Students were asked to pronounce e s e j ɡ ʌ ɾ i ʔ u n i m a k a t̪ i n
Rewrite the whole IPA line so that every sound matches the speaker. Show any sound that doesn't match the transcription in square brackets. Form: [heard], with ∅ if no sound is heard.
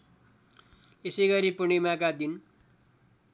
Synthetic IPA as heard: e s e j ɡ ʌ ɾ i [p] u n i m a k a [d̪] i n